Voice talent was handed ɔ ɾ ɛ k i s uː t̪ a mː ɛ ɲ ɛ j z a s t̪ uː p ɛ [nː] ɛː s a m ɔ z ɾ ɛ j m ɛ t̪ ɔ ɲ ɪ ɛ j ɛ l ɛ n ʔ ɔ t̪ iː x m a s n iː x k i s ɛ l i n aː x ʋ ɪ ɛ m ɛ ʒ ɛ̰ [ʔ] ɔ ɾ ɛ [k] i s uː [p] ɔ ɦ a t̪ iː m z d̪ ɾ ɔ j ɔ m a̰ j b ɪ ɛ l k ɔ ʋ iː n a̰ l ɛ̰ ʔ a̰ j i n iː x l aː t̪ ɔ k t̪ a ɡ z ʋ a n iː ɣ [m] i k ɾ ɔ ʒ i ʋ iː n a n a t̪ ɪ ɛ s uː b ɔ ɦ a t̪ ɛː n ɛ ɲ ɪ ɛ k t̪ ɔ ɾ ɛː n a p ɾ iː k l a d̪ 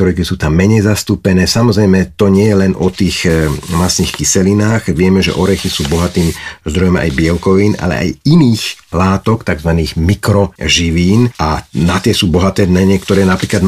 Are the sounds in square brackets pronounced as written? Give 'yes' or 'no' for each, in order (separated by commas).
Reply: no, yes, no, no, yes